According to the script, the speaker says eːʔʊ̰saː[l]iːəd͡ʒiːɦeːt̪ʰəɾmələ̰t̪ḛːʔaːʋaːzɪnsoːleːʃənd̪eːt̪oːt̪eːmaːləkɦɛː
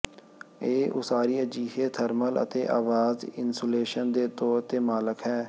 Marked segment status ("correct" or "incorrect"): incorrect